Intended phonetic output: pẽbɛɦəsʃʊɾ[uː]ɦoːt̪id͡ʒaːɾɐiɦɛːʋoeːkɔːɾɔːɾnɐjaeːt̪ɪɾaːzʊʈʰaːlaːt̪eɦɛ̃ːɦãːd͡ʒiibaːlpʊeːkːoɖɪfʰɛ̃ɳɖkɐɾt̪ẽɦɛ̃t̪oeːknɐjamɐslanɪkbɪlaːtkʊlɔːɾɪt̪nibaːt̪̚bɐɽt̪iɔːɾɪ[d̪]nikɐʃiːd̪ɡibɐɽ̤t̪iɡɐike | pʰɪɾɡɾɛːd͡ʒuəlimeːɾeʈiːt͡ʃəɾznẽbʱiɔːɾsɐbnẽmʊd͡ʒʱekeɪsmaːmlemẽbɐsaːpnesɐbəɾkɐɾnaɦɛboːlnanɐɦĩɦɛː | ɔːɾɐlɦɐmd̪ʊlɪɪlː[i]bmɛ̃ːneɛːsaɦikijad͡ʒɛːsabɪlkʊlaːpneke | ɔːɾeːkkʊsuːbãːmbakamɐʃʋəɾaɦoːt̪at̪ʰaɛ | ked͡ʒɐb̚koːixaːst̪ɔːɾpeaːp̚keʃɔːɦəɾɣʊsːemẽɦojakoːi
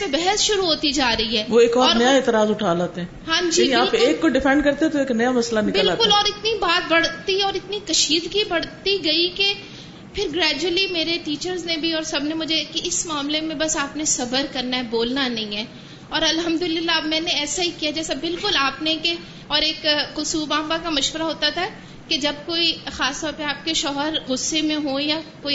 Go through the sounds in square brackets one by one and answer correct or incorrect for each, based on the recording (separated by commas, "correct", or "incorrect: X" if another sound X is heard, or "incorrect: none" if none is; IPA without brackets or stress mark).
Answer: incorrect: u, incorrect: t̪, incorrect: a